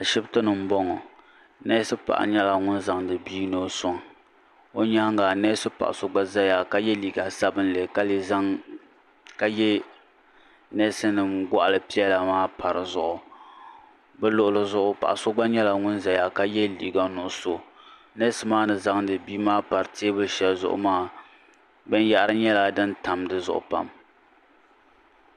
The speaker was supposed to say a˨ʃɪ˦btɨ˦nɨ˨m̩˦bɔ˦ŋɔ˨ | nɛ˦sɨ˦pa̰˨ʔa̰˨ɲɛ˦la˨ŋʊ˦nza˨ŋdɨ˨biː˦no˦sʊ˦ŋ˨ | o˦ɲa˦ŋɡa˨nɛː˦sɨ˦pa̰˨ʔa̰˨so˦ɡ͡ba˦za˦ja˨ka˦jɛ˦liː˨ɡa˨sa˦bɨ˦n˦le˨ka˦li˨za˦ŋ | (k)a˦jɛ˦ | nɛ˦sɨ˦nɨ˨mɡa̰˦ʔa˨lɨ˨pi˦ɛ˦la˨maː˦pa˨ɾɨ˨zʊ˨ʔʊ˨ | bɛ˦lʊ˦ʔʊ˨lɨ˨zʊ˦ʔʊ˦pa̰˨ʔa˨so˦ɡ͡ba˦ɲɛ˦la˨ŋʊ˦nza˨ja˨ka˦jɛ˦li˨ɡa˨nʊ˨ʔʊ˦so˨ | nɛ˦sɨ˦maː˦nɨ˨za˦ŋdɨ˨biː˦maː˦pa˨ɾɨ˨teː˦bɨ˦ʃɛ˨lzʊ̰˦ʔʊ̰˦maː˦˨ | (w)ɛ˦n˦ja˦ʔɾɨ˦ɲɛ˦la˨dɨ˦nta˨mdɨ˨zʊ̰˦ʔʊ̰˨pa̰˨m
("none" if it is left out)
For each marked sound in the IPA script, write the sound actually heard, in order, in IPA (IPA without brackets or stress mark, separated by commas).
k, b